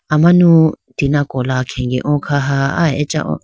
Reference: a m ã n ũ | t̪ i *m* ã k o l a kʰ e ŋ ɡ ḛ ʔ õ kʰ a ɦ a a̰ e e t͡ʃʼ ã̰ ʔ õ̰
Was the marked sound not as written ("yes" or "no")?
yes